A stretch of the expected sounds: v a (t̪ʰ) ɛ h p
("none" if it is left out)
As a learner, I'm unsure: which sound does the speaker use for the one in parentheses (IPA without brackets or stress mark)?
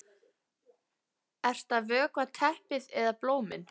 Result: t̪ʰ